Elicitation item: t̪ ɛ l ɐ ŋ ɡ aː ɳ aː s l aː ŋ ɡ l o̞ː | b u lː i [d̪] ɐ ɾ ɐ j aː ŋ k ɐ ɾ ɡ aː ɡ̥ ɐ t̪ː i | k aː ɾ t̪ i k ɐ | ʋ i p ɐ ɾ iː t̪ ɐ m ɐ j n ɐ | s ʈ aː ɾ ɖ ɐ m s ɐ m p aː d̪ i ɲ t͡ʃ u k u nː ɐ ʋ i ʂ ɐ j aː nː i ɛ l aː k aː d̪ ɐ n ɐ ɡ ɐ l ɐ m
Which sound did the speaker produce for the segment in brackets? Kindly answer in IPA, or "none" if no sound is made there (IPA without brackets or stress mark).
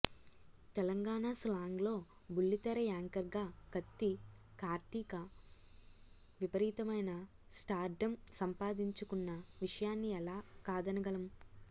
t̪